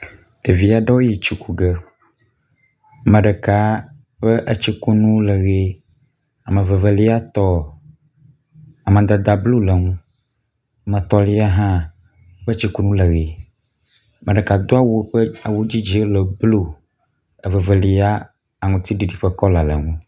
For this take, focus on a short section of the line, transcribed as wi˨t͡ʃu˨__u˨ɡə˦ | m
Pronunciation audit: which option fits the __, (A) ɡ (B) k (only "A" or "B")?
B